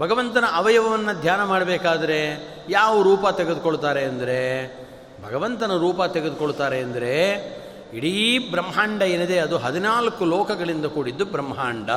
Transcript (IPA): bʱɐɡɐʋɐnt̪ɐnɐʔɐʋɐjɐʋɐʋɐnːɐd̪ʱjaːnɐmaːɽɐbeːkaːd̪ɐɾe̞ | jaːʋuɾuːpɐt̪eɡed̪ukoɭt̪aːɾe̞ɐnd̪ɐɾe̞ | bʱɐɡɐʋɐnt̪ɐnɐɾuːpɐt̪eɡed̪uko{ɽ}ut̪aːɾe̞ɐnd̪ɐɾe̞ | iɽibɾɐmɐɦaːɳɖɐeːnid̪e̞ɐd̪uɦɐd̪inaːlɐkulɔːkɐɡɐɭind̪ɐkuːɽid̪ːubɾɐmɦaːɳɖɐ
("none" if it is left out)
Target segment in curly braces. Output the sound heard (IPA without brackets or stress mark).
ɭ